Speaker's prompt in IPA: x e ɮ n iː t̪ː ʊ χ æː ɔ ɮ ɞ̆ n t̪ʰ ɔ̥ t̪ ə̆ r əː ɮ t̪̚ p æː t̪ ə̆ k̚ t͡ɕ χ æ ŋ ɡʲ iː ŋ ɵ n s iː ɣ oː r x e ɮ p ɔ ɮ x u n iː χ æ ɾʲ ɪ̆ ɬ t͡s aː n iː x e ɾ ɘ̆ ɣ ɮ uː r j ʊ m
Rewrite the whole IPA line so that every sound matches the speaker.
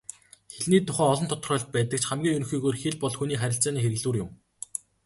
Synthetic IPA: x e ɮ n iː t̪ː ʊ χ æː ɔ ɮ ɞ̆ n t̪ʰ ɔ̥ t̪ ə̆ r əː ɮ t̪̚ p æː t̪ ə̆ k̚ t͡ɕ χ æ m ɡʲ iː ŋ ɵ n x iː ɣ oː r x e ɮ p ɔ ɮ x u n iː χ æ ɾʲ ɪ̆ ɬ t͡s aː n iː x e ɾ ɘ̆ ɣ ɮ uː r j ʊ m